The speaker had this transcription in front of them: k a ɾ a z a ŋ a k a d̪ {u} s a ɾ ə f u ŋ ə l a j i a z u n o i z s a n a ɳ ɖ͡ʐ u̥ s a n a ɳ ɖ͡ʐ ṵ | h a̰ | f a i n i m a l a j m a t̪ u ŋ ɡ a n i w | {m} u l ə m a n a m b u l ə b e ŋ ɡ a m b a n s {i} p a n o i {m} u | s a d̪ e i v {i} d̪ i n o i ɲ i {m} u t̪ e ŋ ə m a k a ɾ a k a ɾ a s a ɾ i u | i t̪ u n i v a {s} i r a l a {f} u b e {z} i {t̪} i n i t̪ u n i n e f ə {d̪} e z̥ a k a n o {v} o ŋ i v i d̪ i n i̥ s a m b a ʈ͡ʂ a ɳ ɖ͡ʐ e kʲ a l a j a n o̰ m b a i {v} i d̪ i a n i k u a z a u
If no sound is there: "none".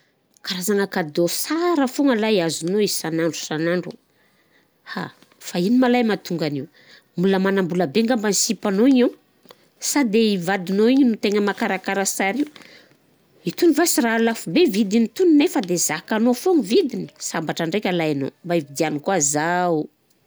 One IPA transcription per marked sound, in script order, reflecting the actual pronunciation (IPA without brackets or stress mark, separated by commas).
o, m, i, ɲ, a, n, s, f, v, d̪, d̪, f, v